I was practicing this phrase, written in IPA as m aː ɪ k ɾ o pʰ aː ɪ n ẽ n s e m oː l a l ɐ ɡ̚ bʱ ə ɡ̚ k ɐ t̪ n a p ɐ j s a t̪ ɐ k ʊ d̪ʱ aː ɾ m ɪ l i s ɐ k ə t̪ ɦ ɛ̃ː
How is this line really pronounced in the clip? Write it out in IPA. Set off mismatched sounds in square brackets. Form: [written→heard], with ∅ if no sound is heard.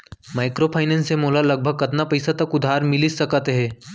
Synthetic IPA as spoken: m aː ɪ k ɾ o pʰ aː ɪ n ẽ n s e m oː l a l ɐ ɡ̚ bʱ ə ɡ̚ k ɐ t̪ n a p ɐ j s a t̪ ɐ k ʊ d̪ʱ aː ɾ m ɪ l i s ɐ k ə t̪ ɦ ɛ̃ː